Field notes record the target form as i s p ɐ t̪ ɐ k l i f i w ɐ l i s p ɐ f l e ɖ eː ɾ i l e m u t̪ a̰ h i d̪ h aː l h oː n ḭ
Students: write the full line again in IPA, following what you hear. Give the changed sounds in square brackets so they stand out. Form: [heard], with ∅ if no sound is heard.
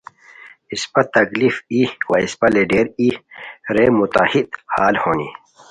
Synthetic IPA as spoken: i s p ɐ t̪ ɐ k l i f i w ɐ [∅] i s p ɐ [∅] l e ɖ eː ɾ i [ɾ] e m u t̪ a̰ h i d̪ h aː l h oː n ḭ